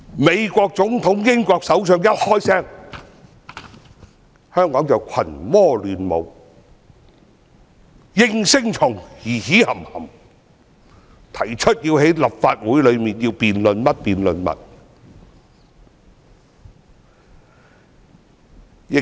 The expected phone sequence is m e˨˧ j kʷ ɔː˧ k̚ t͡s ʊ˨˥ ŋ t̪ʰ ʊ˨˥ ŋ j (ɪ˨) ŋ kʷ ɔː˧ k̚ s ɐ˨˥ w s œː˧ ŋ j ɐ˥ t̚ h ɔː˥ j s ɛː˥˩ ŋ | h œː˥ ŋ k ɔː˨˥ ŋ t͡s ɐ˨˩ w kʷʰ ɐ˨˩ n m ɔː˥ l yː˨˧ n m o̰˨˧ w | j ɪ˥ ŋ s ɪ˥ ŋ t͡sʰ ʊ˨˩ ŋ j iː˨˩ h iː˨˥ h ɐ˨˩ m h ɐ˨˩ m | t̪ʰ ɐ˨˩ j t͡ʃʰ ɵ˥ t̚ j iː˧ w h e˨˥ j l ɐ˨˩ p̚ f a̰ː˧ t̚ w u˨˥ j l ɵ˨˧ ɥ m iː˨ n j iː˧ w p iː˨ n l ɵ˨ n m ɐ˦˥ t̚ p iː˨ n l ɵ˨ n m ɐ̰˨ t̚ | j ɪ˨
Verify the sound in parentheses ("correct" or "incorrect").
incorrect